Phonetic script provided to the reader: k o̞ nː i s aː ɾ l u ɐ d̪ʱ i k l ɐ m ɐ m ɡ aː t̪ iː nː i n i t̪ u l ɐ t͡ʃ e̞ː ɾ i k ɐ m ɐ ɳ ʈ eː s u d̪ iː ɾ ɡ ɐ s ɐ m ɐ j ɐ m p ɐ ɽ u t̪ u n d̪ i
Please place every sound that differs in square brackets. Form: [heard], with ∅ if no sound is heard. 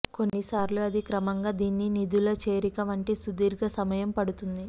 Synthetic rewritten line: k o̞ nː i s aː ɾ l u ɐ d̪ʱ i k [ɾ] ɐ m ɐ [ŋ] ɡ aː [d̪] iː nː i n i [d̪] u l ɐ t͡ʃ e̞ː ɾ i k ɐ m ɐ ɳ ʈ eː s u d̪ iː ɾ ɡ ɐ s ɐ m ɐ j ɐ m p ɐ ɽ u t̪ u n d̪ i

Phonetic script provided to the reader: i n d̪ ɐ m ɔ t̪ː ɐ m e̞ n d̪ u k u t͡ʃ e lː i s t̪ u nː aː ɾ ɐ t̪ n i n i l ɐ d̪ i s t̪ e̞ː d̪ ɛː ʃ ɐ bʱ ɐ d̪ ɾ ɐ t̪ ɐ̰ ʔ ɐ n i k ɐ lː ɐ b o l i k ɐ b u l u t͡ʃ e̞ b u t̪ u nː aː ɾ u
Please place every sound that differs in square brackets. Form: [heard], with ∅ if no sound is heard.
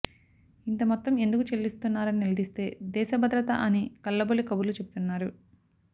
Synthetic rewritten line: i n [t̪] ɐ m ɔ t̪ː ɐ m e̞ n d̪ u k u t͡ʃ e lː i s t̪ u nː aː ɾ ɐ [∅] n i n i l ɐ d̪ i s t̪ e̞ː d̪ ɛː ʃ ɐ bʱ ɐ d̪ ɾ ɐ t̪ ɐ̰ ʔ ɐ n i k ɐ lː ɐ b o l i k ɐ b u l u t͡ʃ e̞ b u t̪ u nː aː ɾ u

